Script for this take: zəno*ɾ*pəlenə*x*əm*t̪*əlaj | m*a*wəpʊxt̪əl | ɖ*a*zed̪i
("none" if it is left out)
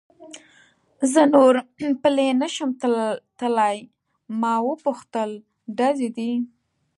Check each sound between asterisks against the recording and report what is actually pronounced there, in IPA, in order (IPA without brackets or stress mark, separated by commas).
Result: ɾ, ʃ, t̪, ɑ, a